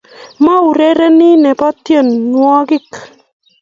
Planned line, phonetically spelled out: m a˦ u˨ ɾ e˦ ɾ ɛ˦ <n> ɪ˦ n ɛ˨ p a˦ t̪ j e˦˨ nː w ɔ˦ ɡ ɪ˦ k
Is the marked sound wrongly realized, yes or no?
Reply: no